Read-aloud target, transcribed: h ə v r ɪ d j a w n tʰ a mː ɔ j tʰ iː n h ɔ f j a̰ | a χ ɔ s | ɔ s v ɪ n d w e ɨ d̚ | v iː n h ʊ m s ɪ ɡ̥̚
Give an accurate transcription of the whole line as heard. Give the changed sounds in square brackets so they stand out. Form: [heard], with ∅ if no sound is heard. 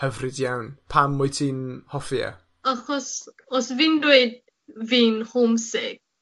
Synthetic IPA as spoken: h ə v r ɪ d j a w n [pʰ] a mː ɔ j tʰ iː n h ɔ f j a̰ | a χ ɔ s | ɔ s v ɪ n d w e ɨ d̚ | v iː n h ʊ m s ɪ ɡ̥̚